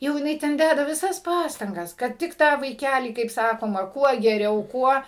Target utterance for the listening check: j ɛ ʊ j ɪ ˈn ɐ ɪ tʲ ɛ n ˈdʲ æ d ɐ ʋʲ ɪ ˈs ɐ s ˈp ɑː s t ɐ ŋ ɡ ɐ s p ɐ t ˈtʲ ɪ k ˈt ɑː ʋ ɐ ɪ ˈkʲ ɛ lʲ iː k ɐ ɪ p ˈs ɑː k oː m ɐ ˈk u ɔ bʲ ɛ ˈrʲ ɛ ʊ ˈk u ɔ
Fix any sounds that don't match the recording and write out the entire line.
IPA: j ɛ ʊ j ɪ ˈn ɐ ɪ tʲ ɛ n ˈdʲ æ d ɐ ʋʲ ɪ ˈs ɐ s ˈp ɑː s t ɐ ŋ ɡ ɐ s k ɐ t ˈtʲ ɪ k ˈt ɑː ʋ ɐ ɪ ˈkʲ æ lʲ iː k ɐ ɪ p ˈs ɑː k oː m ɐ ˈk u ɔ ɡʲ ɛ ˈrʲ ɛ ʊ ˈk u ɔ